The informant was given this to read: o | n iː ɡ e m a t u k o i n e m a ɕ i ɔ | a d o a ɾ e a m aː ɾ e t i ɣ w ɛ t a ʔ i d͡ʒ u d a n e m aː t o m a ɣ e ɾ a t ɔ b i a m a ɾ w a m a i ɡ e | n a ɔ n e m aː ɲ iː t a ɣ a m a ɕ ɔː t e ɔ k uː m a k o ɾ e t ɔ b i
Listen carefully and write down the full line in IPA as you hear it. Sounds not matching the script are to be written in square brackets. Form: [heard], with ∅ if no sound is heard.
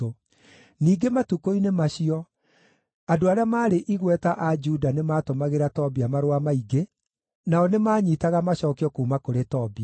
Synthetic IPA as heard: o | n iː ɡ e m a t u k o i n e m a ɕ i ɔ | a d o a ɾ e a m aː ɾ e [ʔ] i ɣ w ɛ t a ʔ [a] d͡ʒ u d a n e m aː t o m a ɣ e ɾ a t ɔ b i a m a ɾ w a m a i ɡ e | n a ɔ n e m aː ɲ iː t a ɣ a m a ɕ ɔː [k] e ɔ k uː m a k o ɾ e t ɔ b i